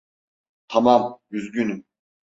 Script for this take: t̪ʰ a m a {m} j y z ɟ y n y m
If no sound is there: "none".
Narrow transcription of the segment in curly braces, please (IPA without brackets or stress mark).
m